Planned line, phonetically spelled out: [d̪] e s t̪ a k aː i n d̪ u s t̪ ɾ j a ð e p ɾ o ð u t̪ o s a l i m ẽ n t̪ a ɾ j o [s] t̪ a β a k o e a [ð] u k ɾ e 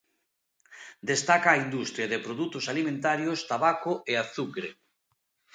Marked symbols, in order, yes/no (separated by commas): yes, yes, no